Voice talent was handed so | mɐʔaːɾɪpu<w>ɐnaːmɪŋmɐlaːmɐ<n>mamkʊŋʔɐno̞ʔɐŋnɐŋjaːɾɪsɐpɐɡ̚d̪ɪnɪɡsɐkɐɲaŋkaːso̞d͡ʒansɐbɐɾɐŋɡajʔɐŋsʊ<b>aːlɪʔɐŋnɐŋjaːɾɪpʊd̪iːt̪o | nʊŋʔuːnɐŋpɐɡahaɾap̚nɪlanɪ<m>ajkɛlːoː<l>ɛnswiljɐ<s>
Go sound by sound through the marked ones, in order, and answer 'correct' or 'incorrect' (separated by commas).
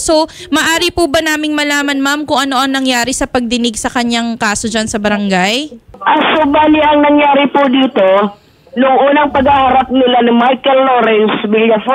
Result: incorrect, correct, correct, correct, incorrect, incorrect